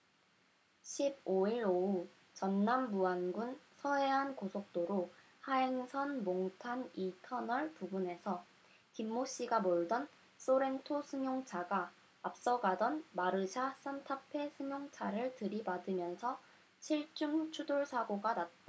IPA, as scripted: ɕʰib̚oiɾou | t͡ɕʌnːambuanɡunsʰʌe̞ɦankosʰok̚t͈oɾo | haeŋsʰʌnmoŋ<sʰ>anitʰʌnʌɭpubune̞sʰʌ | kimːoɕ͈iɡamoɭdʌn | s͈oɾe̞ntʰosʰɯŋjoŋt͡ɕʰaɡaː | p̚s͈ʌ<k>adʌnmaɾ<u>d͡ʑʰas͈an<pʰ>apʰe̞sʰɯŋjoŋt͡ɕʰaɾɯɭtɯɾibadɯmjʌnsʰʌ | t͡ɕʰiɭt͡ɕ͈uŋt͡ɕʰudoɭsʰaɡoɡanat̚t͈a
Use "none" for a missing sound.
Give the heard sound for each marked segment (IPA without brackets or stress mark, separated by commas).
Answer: tʰ, ɡ, ɯ, tʰ